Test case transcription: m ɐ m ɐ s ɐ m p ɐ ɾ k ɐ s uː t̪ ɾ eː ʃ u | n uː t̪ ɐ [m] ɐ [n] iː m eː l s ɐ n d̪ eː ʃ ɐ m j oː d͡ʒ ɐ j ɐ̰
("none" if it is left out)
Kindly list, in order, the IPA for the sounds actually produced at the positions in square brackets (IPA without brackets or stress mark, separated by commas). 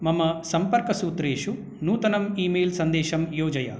n, m